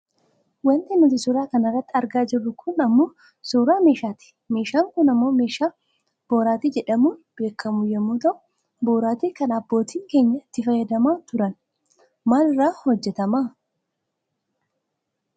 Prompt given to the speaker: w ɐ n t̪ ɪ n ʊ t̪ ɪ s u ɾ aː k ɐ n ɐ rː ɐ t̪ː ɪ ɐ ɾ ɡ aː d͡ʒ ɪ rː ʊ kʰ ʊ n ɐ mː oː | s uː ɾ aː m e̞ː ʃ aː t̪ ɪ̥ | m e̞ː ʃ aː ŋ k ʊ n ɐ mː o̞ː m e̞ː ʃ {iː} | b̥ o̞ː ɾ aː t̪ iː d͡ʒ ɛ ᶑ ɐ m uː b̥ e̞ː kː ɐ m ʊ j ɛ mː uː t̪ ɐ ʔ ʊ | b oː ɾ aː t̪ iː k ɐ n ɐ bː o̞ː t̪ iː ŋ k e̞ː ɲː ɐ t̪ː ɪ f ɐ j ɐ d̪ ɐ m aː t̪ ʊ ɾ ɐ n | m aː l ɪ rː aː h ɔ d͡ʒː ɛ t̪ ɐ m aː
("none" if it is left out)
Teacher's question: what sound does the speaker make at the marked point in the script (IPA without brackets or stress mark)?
aː